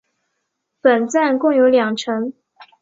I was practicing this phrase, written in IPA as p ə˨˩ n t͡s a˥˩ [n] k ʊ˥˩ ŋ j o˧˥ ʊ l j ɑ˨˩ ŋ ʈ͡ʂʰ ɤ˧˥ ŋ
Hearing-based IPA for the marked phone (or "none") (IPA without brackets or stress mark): n